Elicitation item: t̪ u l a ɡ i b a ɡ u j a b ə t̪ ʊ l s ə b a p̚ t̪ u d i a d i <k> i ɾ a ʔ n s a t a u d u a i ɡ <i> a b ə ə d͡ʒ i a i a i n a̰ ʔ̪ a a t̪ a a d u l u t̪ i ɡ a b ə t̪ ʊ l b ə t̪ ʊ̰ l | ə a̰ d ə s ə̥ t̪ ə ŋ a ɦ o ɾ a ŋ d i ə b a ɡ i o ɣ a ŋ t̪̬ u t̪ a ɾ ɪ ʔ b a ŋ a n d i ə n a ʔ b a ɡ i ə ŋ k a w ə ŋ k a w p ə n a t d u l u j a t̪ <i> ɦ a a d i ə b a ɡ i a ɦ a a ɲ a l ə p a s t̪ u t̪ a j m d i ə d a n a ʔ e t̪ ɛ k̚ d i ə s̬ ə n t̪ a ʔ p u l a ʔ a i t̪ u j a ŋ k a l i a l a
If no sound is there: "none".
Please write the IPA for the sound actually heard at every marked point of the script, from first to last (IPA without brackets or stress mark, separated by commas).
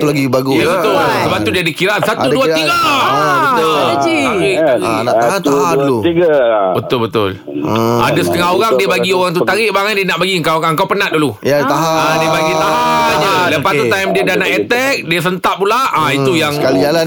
k, a, a